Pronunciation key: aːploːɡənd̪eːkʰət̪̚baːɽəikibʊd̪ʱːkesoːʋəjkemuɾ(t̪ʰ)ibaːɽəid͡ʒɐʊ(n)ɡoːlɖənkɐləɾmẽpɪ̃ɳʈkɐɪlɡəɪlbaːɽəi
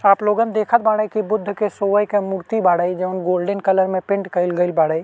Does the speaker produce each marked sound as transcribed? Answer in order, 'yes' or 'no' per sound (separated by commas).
no, yes